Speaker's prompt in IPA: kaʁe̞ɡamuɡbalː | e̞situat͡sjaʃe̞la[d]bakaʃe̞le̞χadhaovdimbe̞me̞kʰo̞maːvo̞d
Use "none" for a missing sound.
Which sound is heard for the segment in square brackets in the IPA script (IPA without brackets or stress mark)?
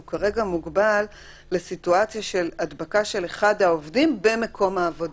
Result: d